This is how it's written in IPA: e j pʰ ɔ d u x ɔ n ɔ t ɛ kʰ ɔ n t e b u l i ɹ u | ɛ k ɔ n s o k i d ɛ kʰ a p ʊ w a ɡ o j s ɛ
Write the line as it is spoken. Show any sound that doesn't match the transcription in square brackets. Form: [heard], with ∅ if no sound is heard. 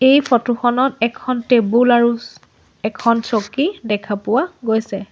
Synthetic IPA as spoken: e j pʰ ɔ [t] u x ɔ n ɔ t ɛ kʰ ɔ n t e b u l [a] ɹ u | ɛ [kʰ] ɔ n s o k i d ɛ kʰ a p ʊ w a ɡ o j s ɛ